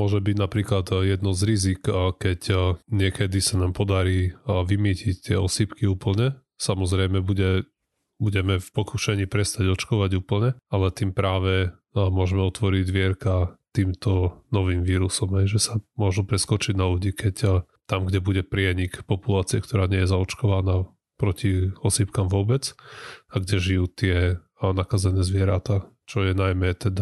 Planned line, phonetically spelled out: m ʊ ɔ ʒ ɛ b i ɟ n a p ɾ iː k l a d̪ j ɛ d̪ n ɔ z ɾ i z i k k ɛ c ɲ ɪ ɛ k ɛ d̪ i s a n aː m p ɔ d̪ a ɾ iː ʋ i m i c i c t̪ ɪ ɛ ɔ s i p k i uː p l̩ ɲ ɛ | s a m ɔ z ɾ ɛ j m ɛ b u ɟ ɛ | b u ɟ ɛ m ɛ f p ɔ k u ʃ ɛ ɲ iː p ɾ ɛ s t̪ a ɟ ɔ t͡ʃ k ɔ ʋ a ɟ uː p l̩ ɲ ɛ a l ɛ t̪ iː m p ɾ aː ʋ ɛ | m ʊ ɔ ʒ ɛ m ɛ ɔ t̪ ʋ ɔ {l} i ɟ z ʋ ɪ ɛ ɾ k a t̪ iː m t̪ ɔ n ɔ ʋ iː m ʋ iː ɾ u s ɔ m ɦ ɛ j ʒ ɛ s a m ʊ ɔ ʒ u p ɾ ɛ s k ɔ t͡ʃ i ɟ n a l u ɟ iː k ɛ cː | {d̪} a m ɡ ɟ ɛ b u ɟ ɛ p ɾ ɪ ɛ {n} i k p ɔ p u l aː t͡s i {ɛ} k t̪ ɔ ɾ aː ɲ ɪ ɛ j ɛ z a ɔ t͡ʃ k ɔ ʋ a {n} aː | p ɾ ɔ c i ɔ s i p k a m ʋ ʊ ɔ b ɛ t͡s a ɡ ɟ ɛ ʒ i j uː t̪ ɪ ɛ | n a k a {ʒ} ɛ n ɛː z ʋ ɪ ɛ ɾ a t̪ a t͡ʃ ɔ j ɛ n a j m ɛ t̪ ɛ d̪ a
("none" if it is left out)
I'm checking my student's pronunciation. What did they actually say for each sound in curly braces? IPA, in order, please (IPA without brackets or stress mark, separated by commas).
ɾ, t̪, ɲ, ɛ, n, z